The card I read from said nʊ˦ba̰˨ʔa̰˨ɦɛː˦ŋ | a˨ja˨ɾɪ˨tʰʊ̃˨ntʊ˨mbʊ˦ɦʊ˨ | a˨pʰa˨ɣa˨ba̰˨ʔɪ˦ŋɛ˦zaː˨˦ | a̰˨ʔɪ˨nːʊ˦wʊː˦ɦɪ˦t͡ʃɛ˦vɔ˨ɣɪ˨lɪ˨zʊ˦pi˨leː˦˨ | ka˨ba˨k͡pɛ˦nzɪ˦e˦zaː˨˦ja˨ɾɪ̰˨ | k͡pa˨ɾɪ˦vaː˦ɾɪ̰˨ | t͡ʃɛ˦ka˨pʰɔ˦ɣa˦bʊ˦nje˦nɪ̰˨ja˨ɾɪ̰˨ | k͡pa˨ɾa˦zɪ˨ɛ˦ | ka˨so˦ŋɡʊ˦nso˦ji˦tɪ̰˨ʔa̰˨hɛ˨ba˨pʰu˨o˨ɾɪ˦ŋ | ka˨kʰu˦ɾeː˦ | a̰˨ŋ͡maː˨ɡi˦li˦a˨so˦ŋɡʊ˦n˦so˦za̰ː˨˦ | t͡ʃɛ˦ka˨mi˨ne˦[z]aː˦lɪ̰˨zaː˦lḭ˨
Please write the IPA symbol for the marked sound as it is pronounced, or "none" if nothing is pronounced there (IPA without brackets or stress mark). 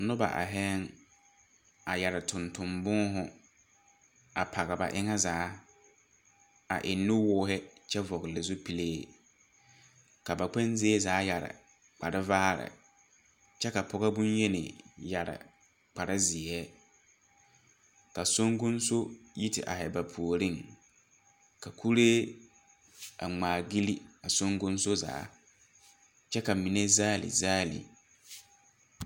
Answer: z